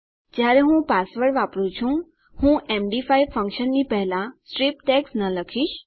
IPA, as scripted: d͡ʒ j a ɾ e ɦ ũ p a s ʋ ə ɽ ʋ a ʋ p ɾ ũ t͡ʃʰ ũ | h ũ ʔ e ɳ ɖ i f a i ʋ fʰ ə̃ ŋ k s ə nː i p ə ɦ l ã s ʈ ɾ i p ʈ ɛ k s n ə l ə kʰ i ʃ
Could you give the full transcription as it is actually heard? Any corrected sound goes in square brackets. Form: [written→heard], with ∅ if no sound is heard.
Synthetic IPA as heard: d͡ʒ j a ɾ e ɦ ũ p a s ʋ ə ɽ ʋ a [ʋ→∅] p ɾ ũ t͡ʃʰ ũ | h ũ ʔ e [ɳ→m] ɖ i f a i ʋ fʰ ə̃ ŋ k [s→ʃ] ə nː i p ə ɦ l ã s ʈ ɾ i p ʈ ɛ k s n ə l ə kʰ i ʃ